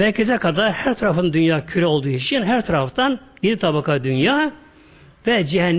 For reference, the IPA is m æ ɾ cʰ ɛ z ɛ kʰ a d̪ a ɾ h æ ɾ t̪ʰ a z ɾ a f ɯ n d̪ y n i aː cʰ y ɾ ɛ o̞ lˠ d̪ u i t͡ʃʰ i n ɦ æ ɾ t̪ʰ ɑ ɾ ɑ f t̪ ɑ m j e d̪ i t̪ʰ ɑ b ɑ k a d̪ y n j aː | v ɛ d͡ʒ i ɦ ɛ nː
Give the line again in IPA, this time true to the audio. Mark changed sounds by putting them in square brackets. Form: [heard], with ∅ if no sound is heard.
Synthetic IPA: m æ ɾ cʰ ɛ z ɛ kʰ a d̪ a ɾ h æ ɾ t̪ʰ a [∅] ɾ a f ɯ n d̪ y n [j] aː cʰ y ɾ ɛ o̞ lˠ d̪ u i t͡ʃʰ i n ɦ æ ɾ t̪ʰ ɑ ɾ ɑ f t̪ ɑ [n] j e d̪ i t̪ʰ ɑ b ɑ k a d̪ y n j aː | v ɛ d͡ʒ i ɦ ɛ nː